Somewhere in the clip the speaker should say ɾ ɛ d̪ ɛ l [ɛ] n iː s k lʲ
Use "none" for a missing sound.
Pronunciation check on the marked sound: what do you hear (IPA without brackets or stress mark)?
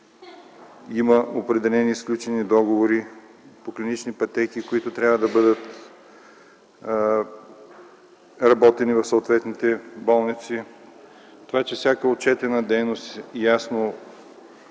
ɛ